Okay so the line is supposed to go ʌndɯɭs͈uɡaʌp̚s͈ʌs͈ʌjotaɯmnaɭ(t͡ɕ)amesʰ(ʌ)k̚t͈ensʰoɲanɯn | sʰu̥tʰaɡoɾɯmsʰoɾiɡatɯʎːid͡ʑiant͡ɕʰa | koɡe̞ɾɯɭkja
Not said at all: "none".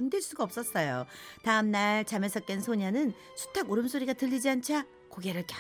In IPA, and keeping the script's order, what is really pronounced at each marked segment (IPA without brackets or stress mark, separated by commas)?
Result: t͡ɕ, ʌ